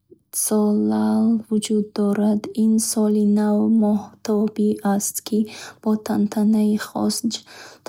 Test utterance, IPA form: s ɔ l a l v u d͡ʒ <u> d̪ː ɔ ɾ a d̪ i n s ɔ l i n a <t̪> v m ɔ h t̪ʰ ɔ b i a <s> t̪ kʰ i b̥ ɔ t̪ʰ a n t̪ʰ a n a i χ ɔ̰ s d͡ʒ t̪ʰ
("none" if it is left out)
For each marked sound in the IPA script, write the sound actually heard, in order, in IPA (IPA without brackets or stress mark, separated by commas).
u, none, s